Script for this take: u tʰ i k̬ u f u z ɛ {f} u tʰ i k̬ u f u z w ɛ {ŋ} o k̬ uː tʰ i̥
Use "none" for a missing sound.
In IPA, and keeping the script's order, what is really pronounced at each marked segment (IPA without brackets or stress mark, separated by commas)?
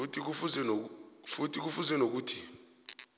f, n